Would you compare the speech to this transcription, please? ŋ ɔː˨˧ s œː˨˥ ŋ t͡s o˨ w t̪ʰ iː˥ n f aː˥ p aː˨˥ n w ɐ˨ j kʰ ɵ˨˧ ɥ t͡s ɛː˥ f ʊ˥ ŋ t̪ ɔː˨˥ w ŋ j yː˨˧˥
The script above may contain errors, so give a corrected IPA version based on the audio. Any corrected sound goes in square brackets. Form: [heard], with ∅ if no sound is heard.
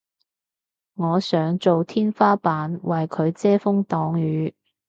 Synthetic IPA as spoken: ŋ ɔː˨˧ s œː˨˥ ŋ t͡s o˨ w t̪ʰ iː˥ n f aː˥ p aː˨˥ n w ɐ˨ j kʰ ɵ˨˧ ɥ t͡s ɛː˥ f ʊ˥ ŋ t̪ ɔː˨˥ [∅] ŋ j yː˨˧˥